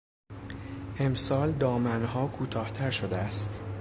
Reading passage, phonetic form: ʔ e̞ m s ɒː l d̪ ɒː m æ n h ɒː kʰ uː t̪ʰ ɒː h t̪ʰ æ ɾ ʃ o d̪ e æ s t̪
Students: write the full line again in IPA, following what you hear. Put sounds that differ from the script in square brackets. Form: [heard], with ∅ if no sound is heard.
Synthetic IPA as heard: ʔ e̞ m s ɒː l d̪ ɒː m æ n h ɒː kʰ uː t̪ʰ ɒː h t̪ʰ æ ɾ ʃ o d̪ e æ s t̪